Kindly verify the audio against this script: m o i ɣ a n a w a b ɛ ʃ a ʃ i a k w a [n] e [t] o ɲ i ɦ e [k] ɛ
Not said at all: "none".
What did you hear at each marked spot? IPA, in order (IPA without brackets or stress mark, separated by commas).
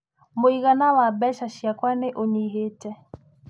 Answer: n, ʔ, t